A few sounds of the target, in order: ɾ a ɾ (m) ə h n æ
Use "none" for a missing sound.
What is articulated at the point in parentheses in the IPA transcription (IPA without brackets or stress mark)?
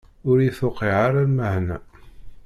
m